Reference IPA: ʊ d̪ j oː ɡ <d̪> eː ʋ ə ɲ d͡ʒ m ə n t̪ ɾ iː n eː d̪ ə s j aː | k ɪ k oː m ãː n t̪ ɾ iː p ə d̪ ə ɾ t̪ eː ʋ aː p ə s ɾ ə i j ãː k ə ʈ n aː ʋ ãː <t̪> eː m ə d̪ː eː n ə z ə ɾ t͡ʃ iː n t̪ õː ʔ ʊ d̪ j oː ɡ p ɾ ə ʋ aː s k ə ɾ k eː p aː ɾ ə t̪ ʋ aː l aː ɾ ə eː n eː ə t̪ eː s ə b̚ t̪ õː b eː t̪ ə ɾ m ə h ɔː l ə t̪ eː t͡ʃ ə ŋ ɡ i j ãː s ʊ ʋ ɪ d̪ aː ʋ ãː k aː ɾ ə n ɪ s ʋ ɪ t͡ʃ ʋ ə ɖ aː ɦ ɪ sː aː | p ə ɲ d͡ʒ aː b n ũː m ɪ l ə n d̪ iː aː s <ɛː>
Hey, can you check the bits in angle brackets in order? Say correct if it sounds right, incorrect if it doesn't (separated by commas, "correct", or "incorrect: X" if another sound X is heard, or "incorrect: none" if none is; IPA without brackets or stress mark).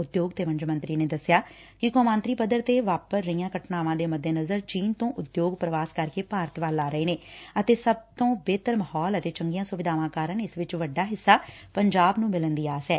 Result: incorrect: t̪, incorrect: d̪, correct